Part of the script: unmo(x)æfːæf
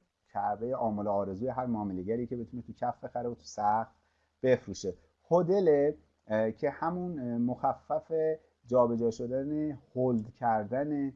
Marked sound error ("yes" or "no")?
no